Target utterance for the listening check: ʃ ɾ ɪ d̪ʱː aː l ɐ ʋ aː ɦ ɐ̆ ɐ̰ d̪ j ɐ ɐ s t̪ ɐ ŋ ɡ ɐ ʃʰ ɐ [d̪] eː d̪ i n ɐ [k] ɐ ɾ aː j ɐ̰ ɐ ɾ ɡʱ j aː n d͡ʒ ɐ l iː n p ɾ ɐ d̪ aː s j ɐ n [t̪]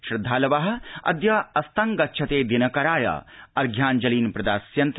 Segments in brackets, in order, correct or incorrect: incorrect: t̪, correct, correct

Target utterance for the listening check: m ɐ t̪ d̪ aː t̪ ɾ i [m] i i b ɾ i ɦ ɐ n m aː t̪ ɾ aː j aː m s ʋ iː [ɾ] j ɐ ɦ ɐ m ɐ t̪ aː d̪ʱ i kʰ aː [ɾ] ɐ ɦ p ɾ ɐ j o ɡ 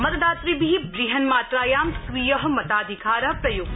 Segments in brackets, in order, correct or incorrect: incorrect: b, incorrect: none, correct

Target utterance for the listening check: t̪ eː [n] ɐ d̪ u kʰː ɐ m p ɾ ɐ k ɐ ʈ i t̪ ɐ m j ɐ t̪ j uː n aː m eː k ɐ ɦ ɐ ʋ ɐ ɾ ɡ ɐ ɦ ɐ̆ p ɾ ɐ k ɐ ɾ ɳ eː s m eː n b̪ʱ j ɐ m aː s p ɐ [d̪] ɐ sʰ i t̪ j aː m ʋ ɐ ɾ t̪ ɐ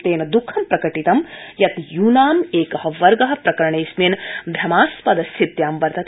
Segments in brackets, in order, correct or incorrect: correct, correct

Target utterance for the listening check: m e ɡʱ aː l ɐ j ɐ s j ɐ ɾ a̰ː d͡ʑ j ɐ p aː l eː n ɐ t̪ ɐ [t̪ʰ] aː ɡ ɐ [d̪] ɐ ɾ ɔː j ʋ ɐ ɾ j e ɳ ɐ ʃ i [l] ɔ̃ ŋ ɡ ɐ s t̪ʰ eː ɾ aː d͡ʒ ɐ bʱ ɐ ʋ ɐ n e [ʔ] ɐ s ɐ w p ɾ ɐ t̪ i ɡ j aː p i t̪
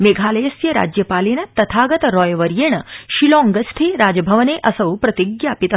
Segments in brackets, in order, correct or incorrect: correct, incorrect: t̪, correct, correct

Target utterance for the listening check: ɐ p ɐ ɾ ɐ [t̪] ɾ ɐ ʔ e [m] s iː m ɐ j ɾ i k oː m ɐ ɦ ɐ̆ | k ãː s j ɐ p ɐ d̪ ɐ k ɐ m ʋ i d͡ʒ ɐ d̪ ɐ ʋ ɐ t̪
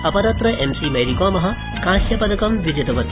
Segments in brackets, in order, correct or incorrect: correct, correct

